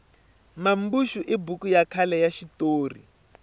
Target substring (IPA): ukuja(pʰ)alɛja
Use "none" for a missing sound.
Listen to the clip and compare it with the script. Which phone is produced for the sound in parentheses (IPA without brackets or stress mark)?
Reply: kʰ